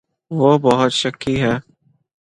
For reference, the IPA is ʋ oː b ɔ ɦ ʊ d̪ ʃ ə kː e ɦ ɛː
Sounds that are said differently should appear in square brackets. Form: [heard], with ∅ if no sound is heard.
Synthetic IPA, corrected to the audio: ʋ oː b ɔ ɦ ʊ [t̪] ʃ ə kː [i] ɦ ɛː